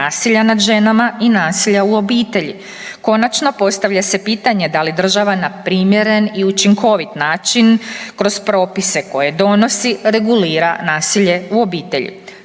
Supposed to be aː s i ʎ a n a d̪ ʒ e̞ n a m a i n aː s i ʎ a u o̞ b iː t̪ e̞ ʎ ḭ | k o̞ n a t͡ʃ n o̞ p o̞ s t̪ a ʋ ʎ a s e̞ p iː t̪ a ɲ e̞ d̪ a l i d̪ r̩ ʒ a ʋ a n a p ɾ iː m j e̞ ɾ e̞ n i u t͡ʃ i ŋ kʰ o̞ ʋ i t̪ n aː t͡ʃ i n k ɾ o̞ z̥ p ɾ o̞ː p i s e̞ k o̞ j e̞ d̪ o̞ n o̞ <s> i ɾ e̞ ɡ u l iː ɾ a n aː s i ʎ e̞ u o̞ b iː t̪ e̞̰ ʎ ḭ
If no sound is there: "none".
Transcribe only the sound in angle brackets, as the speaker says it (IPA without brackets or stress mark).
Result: s